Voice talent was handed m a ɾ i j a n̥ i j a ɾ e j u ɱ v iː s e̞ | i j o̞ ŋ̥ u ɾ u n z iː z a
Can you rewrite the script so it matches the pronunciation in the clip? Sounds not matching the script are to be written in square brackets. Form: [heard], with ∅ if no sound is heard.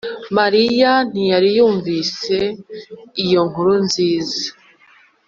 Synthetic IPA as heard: m a ɾ i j a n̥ i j a ɾ [i] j [uː] ɱ v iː s e̞ | i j o̞ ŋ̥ u ɾ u n z iː z a